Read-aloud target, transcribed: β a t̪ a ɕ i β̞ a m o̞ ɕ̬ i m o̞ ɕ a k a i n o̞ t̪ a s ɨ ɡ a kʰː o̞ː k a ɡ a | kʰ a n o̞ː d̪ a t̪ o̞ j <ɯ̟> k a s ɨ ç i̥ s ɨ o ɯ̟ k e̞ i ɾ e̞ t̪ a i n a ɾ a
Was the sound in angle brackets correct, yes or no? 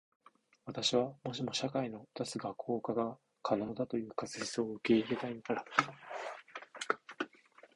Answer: no